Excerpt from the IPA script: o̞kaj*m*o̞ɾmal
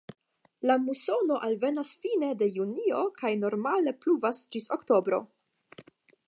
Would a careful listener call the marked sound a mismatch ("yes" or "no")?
yes